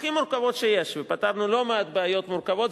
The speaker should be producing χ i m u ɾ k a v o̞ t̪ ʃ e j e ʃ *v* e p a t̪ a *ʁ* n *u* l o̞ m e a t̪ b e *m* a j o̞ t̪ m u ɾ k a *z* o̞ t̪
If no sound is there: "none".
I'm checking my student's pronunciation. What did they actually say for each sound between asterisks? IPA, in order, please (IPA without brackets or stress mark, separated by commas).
v, v, u, none, v